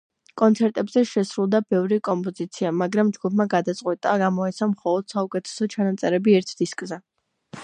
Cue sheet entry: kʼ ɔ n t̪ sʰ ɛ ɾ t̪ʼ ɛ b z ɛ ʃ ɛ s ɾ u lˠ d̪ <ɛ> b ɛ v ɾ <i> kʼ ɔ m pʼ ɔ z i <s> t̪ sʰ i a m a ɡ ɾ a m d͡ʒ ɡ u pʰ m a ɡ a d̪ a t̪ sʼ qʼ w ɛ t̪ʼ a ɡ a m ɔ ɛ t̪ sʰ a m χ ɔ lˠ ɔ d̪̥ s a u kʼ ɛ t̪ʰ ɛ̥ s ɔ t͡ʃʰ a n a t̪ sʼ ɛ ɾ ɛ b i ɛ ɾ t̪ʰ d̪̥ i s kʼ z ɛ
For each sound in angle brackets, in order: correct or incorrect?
incorrect: a, correct, incorrect: none

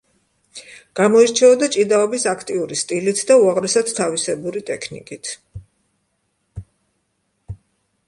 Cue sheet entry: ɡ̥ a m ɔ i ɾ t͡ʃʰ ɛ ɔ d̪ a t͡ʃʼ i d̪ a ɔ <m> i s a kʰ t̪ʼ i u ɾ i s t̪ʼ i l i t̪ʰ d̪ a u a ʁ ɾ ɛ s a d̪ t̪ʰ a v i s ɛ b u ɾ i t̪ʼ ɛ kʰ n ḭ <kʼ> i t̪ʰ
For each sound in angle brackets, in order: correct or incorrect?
incorrect: b, correct

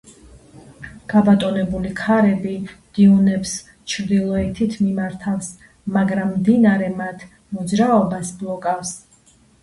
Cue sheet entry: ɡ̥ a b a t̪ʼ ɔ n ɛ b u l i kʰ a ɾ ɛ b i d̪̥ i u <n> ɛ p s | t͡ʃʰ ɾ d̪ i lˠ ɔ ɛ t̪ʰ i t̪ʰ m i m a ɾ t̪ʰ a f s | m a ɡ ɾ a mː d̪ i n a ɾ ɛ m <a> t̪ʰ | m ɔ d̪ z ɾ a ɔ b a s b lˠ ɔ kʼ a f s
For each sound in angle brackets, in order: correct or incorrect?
correct, correct

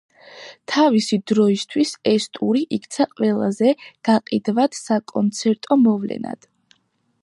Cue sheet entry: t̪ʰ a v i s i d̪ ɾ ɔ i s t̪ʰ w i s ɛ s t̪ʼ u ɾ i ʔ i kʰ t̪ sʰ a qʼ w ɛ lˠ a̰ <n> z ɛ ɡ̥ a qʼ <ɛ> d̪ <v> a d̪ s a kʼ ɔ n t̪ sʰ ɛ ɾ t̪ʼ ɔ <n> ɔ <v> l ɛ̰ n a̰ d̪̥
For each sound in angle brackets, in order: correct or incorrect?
incorrect: none, incorrect: i, correct, incorrect: m, correct

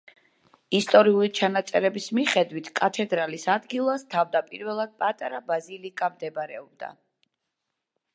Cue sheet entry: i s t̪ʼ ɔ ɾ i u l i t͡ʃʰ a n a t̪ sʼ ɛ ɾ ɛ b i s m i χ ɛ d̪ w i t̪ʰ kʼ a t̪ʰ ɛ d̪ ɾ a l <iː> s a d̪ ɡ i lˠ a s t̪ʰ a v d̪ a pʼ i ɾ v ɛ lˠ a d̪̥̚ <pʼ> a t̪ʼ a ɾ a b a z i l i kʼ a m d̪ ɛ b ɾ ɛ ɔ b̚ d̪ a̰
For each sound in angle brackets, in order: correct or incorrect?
incorrect: i, correct

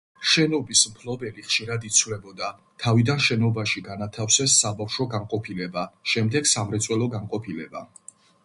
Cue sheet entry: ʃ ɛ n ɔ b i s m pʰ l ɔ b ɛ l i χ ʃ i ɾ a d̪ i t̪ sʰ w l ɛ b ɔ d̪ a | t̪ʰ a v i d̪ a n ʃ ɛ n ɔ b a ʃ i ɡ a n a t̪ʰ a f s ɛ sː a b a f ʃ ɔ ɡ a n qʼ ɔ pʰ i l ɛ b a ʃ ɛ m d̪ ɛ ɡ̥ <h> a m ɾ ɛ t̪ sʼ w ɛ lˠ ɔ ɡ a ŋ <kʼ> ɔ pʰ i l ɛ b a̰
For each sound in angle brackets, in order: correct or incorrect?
incorrect: s, incorrect: qʼ

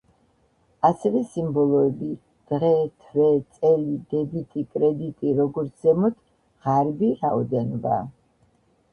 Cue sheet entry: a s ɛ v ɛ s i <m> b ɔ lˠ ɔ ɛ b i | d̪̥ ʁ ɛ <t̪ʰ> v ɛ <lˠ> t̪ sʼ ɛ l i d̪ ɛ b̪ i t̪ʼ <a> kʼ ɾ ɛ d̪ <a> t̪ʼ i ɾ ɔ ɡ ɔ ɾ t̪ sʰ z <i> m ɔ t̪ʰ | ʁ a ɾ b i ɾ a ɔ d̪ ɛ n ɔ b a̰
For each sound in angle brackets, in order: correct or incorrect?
correct, correct, incorrect: none, incorrect: i, incorrect: i, incorrect: ɛ

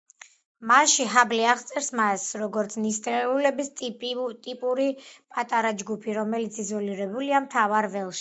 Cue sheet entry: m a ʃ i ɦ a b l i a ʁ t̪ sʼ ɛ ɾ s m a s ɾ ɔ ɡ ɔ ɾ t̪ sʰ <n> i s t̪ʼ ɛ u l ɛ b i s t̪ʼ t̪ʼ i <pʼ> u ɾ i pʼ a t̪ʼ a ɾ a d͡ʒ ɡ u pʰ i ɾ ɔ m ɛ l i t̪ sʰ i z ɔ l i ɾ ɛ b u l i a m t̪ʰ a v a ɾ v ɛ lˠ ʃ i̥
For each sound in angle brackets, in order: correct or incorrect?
correct, correct

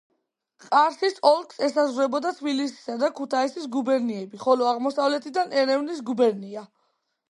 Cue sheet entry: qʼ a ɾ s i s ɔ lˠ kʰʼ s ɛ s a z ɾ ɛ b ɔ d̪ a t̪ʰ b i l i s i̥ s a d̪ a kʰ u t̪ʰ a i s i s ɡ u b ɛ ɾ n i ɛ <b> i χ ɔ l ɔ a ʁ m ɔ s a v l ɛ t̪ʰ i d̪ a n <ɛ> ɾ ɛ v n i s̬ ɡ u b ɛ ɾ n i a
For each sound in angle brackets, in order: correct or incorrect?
correct, correct

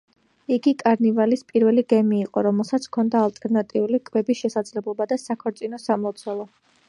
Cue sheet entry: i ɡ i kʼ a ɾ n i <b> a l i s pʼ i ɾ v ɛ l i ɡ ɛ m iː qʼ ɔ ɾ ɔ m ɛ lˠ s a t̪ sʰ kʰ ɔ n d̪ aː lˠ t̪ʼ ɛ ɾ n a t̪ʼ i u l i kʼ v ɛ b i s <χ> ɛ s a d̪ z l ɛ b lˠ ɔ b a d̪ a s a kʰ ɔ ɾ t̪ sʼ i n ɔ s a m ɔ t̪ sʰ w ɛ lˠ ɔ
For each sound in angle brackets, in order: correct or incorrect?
incorrect: v, incorrect: ʃ

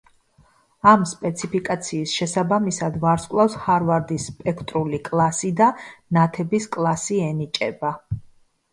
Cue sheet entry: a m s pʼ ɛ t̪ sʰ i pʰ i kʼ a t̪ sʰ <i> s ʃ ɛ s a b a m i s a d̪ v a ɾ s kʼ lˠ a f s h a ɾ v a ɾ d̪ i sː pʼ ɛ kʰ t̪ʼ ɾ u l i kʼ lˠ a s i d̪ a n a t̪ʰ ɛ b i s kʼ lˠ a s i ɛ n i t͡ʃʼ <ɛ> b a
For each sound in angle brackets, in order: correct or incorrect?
incorrect: iː, correct

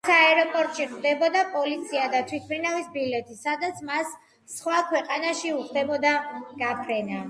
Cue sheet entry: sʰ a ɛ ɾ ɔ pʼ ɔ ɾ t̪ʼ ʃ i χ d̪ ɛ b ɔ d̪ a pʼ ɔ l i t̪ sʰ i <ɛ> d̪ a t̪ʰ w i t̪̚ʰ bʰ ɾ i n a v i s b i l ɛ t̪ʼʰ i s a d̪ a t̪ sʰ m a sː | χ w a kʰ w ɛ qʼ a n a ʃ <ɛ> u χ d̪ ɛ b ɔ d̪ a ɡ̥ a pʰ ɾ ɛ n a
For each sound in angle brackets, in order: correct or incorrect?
incorrect: a, incorrect: i

